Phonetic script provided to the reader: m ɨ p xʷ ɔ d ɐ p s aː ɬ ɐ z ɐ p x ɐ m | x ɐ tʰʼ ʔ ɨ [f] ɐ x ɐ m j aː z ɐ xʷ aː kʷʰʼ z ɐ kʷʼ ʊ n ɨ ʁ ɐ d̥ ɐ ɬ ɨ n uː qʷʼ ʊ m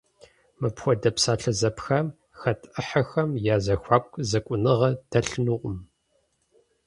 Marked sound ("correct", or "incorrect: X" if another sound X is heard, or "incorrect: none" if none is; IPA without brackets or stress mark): incorrect: ħ